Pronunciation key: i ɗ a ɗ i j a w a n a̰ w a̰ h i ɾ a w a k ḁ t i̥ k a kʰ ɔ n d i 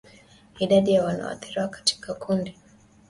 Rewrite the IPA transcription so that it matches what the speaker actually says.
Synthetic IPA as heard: i ɗ a ɗ i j a w a n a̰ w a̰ θ i ɾ i w a k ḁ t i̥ k a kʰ u n d i